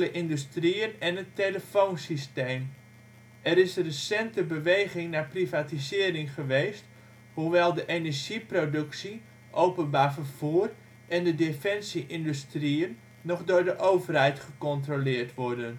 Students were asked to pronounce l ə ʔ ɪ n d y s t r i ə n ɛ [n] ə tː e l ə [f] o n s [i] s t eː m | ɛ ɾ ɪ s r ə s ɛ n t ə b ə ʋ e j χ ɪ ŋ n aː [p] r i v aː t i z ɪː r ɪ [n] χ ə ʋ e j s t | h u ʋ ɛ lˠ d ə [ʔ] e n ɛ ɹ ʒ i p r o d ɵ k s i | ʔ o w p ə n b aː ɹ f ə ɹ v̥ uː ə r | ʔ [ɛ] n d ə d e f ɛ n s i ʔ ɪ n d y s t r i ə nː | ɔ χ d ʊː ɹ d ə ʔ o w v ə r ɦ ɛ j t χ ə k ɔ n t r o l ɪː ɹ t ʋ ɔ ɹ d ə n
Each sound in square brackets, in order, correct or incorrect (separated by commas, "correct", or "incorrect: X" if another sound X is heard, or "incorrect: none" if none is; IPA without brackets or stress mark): correct, correct, correct, correct, incorrect: ŋ, correct, correct